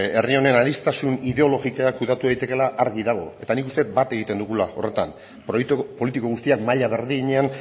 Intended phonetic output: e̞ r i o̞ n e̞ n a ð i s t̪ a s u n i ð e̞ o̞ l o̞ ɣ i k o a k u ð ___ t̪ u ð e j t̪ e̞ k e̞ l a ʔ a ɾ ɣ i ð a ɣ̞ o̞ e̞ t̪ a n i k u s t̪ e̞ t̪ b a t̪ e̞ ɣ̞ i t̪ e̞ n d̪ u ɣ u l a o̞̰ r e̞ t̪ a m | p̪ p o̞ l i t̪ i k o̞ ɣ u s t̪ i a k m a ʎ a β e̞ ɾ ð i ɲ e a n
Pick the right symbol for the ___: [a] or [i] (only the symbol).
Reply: a